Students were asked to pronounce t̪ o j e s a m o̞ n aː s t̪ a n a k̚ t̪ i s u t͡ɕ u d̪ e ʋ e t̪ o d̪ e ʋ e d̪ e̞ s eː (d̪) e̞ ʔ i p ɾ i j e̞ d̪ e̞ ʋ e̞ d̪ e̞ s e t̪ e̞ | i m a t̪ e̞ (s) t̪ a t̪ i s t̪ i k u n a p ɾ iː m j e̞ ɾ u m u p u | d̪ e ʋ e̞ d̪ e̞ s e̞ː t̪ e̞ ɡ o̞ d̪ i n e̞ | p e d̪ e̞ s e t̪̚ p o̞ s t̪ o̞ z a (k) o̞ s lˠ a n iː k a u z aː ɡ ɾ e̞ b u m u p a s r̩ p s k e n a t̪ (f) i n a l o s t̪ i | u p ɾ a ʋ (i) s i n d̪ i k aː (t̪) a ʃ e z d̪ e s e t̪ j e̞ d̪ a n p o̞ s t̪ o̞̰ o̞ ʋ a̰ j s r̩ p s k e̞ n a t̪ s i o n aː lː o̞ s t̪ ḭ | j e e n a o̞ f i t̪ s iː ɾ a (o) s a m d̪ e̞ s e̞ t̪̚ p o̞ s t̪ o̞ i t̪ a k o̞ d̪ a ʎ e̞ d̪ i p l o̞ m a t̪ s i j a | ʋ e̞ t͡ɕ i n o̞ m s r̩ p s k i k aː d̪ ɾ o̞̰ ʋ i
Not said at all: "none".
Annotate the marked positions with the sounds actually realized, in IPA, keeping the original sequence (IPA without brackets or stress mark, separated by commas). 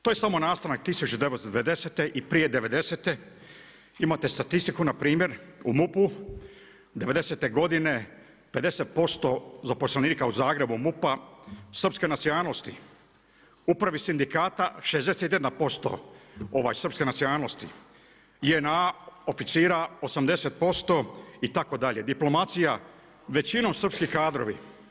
t̪, s, p, s, i, t̪, o